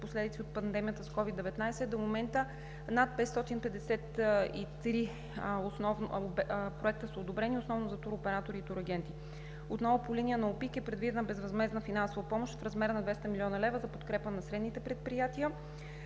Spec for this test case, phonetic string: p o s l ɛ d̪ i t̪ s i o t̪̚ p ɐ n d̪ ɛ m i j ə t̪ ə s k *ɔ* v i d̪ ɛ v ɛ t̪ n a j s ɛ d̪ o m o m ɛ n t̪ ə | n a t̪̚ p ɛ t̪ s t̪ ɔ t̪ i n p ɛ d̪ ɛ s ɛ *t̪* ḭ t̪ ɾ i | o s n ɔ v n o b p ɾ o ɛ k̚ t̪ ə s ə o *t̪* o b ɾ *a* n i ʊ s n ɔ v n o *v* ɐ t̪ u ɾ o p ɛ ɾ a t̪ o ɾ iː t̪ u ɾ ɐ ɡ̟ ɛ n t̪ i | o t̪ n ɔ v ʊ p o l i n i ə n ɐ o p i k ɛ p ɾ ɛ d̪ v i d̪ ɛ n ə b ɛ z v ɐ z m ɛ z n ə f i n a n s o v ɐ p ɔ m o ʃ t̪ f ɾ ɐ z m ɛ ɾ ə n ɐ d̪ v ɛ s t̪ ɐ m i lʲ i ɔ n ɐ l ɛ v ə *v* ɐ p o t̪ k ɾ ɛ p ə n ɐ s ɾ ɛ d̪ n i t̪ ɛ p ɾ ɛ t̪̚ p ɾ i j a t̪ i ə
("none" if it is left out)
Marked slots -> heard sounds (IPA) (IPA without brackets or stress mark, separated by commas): ɔ, t̪, d̪, ɛ, z, z